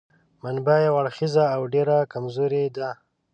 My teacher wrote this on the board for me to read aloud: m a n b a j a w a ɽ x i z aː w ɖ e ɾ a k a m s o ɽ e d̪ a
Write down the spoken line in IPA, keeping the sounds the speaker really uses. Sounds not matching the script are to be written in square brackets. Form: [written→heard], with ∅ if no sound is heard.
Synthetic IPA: m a n b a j a w a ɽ x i z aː w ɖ e ɾ a k a m [s→z] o [ɽ→ɾ] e d̪ a